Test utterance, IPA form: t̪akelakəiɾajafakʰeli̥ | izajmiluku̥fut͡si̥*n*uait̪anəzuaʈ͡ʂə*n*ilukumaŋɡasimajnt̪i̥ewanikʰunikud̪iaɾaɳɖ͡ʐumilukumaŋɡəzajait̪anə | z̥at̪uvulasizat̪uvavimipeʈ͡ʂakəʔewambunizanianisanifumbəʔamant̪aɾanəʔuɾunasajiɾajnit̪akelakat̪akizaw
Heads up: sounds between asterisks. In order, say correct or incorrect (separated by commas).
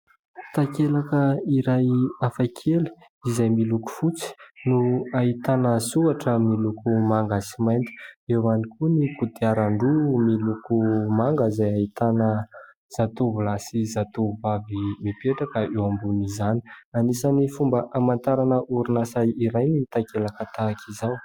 correct, incorrect